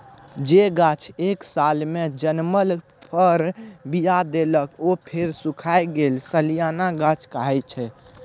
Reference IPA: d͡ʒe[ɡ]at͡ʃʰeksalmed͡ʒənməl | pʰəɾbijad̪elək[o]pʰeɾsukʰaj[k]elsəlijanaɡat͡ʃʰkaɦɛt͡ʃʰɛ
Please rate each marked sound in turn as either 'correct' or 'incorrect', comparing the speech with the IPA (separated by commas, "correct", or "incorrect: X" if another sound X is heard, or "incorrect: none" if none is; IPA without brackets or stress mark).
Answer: correct, correct, incorrect: ɡ